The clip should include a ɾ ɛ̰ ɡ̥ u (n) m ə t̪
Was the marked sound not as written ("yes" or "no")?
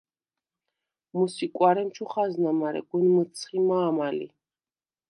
no